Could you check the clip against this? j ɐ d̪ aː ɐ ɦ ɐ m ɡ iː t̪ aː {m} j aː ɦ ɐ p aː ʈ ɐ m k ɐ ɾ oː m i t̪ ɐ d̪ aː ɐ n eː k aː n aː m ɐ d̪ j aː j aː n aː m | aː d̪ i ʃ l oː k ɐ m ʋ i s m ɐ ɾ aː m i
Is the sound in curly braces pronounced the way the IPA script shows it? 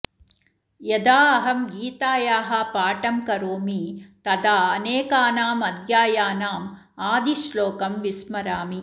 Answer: no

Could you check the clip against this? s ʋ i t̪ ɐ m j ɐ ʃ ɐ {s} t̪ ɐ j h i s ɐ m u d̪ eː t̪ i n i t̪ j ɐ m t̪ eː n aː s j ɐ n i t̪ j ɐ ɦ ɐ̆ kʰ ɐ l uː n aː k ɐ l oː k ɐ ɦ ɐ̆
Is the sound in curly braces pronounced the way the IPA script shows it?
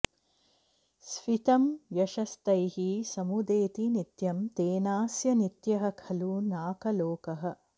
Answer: yes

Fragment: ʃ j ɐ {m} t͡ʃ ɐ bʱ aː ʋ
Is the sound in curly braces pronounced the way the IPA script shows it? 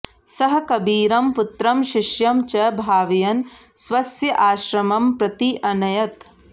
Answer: yes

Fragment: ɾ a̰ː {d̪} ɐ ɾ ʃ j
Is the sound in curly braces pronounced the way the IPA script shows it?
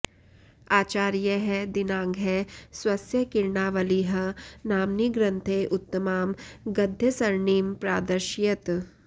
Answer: yes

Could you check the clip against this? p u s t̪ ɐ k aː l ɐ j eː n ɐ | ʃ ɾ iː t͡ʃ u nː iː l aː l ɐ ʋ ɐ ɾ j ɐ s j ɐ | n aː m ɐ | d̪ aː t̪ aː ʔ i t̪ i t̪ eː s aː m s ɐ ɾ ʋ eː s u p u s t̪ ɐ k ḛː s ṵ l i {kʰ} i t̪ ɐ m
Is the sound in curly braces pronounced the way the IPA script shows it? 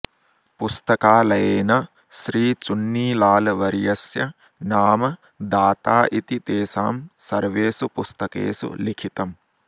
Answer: yes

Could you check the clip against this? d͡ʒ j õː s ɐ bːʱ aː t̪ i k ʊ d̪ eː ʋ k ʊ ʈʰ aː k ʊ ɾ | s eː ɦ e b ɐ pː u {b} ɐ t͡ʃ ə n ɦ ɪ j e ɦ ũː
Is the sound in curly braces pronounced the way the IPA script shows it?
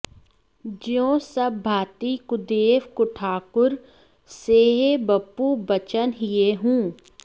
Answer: yes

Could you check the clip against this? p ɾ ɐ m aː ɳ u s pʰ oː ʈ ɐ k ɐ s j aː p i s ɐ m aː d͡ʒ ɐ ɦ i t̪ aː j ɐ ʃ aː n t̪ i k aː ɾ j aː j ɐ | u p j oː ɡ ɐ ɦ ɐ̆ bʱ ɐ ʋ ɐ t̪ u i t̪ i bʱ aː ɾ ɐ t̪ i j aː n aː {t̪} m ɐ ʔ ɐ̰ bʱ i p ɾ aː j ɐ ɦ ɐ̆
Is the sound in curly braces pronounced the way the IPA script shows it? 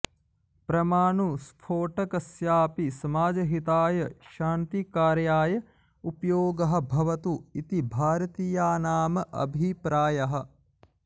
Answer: no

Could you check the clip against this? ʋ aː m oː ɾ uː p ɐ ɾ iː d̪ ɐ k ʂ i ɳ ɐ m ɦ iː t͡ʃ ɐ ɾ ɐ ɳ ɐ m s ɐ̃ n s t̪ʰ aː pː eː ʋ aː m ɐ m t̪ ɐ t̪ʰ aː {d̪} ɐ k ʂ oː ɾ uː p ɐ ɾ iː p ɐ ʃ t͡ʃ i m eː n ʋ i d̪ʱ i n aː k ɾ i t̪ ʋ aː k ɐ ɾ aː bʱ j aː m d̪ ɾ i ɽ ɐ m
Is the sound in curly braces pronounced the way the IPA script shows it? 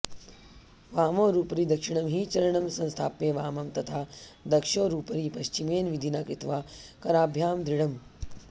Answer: yes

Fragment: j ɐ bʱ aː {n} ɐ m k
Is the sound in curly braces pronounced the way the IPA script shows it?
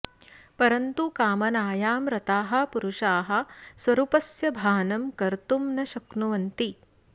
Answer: yes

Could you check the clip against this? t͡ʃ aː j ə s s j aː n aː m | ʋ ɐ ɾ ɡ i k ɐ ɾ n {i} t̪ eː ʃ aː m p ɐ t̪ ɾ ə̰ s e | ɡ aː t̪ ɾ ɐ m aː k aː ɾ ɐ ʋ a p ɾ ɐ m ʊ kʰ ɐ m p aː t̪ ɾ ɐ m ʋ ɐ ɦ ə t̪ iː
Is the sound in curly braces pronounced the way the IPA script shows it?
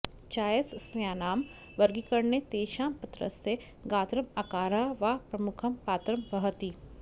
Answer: no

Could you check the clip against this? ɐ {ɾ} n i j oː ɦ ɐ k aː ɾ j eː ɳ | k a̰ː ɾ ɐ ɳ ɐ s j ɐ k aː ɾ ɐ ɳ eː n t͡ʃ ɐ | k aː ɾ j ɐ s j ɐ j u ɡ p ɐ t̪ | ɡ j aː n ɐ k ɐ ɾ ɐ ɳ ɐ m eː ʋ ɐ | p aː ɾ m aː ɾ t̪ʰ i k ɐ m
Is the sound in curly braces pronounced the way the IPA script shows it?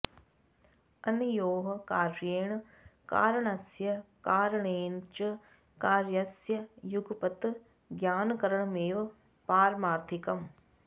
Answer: no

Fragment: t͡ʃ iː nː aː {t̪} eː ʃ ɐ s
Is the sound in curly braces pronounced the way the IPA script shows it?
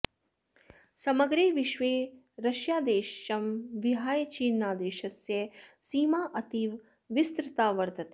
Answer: no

